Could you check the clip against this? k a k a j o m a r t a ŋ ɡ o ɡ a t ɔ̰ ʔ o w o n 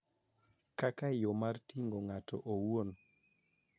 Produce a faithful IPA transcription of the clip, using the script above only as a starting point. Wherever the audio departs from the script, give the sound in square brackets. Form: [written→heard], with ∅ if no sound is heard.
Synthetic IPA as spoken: k a k a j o m a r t [a→i] ŋ ɡ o [ɡ→ŋ] a t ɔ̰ ʔ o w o n